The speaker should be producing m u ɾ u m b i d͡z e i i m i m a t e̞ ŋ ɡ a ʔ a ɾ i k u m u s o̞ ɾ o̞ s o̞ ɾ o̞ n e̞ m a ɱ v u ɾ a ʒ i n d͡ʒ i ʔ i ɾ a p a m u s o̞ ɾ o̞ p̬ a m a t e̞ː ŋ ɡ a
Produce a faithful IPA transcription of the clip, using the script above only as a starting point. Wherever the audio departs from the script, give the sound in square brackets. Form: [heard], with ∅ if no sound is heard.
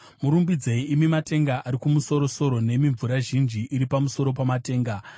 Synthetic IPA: m u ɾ u m b i d͡z e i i m i m a t e̞ ŋ ɡ a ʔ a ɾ i k u m u s o̞ ɾ o̞ s o̞ ɾ o̞ n e̞ m [i] ɱ v u ɾ a ʒ i n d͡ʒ i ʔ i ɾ [i] p a m u s o̞ ɾ o̞ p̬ a m a t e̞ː ŋ ɡ a